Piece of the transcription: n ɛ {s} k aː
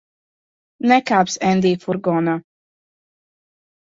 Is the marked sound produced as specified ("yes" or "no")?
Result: no